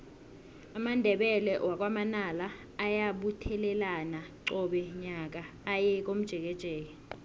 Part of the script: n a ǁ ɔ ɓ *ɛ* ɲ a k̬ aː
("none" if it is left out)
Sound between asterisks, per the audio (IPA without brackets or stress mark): ɛ